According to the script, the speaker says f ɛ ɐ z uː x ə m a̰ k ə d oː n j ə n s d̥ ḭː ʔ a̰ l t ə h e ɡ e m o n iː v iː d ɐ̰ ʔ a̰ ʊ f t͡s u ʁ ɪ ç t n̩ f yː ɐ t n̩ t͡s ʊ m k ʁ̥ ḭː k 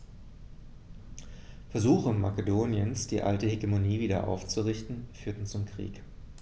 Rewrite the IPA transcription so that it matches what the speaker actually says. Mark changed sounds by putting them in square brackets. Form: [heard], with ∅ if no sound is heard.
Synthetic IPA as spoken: f ɛ ɐ z uː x ə m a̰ k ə d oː n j ə n s d̥ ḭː ʔ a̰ l t ə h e ɡ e m o n iː v iː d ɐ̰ ʔ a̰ ʊ f t͡s u ʁ ɪ ç t n̩ f yː ɐ t n̩ t͡s ʊ m k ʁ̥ ḭː k